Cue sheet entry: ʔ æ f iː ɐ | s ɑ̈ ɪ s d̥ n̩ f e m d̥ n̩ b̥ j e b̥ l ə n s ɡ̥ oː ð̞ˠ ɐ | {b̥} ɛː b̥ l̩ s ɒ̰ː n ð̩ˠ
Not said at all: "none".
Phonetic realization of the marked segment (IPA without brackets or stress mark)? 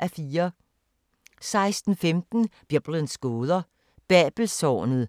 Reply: b̥